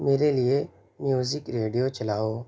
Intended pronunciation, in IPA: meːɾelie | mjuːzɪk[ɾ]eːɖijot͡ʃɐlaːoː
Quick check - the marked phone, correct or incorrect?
correct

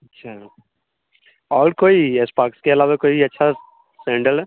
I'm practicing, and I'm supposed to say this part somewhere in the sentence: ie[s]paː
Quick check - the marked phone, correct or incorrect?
correct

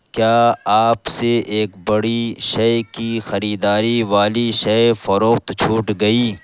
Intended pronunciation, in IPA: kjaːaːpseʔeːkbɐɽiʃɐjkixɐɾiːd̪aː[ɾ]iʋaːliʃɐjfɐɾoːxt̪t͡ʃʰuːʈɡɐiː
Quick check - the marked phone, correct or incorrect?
correct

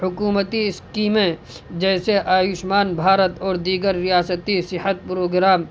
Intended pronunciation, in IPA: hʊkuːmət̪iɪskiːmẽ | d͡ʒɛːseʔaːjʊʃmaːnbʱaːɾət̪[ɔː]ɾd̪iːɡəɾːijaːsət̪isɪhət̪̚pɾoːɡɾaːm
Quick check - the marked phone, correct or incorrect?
correct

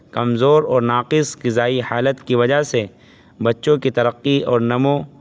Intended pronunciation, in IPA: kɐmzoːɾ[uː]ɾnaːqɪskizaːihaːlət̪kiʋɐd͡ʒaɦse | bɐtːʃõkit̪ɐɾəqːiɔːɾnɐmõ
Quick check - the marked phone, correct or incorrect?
incorrect: ɔː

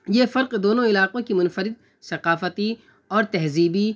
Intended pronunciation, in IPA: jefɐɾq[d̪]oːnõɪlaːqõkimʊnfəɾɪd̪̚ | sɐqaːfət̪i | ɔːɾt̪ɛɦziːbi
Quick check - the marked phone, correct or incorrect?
correct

